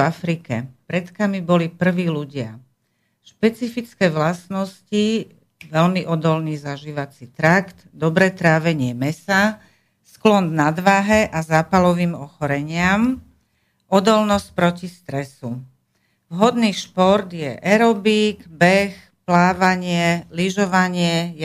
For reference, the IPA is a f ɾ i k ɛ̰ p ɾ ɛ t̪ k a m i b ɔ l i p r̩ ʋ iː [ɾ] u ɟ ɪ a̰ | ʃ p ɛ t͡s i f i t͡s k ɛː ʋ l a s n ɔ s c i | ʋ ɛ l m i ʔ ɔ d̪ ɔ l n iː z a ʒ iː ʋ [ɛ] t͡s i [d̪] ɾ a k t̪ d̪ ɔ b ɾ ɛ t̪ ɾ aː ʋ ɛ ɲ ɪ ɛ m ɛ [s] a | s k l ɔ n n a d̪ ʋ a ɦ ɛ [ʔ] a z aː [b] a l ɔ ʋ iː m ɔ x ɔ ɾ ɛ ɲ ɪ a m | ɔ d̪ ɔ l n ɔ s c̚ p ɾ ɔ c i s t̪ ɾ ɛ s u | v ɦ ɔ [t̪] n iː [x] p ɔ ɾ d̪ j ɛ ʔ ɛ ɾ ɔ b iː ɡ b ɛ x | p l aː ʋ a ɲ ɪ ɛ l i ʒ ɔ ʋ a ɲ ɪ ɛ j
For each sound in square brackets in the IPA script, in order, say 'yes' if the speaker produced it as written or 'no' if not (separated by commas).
no, no, no, yes, yes, no, no, no